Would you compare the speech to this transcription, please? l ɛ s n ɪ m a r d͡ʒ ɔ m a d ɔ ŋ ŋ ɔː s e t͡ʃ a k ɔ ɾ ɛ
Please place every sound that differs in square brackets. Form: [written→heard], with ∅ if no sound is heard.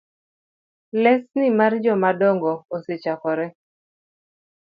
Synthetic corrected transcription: l ɛ s n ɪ m a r d͡ʒ ɔ m a d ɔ ŋ [ŋ→ɡ] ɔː s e t͡ʃ a k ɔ ɾ ɛ